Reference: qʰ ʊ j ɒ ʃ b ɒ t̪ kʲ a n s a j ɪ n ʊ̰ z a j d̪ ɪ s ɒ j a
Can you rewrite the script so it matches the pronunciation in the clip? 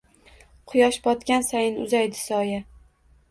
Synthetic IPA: qʰ ʊ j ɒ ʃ b ɒ t̪ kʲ a n s a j ɪ n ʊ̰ z a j d̪ ɪ s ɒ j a